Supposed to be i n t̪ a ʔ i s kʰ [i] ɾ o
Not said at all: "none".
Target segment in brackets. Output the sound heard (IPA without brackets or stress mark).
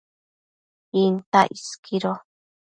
i